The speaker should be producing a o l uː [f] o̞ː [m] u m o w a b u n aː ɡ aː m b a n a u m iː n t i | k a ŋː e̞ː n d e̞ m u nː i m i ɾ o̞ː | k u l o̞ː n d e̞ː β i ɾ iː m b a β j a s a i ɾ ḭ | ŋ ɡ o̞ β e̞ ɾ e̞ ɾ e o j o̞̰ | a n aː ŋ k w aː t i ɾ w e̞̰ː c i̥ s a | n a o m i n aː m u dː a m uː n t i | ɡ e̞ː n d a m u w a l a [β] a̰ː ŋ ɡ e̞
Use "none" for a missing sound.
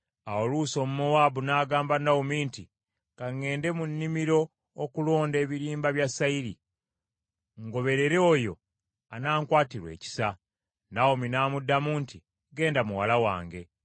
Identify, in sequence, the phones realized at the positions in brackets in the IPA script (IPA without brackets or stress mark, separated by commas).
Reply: s, m, w